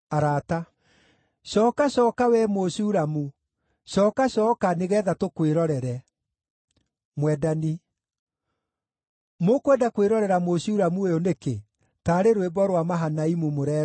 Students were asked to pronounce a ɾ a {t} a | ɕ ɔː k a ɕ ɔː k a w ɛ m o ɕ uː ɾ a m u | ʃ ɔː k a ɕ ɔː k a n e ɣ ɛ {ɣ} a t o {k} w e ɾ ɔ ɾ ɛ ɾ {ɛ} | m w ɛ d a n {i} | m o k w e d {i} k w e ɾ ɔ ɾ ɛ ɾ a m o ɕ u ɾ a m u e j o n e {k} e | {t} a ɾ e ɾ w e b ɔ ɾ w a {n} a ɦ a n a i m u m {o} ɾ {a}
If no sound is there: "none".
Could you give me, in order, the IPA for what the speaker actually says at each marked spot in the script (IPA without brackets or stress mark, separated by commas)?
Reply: t, ð, k, ɛ, i, a, k, t, m, o, ɛ